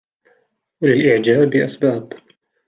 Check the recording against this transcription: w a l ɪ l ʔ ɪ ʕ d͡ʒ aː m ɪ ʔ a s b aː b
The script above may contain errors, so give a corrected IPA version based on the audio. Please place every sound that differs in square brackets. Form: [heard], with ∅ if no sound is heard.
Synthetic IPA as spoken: w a l ɪ l ʔ ɪ ʕ d͡ʒ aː [b] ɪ ʔ a s b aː b